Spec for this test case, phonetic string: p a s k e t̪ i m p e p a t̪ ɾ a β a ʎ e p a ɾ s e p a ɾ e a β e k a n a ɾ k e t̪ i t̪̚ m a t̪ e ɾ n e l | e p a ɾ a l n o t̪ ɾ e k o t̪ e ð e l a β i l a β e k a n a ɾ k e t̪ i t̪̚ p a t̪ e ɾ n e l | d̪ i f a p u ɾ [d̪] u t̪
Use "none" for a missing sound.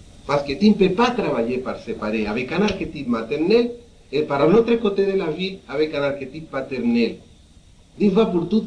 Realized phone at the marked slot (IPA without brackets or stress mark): t̪